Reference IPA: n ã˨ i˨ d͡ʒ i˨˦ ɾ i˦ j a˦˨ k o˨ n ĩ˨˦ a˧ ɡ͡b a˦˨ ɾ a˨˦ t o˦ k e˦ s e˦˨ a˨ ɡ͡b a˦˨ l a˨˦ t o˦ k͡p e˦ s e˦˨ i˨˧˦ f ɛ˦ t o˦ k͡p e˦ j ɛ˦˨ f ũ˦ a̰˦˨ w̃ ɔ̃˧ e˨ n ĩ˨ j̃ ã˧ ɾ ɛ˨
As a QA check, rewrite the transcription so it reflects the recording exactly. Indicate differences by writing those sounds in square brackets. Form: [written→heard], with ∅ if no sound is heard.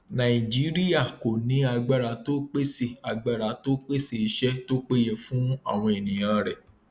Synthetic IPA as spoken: n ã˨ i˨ d͡ʒ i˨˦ ɾ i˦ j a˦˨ k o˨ n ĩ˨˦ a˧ ɡ͡b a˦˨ ɾ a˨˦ t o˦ [k→k͡p] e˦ s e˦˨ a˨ ɡ͡b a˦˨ [l→ɾ] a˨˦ t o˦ k͡p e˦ s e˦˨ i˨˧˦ [f→ʃ] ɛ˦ t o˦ k͡p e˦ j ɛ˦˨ f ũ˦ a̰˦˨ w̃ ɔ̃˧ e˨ n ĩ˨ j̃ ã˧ ɾ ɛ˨